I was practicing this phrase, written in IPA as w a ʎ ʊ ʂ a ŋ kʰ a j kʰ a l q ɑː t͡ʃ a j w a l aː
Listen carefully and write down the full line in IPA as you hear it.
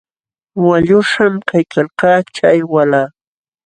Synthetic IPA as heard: w a ʎ ʊ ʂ a m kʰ a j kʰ a l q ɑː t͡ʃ a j w a l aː